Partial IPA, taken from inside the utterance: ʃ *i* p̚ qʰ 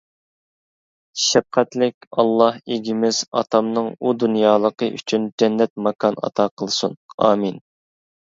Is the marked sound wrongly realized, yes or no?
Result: yes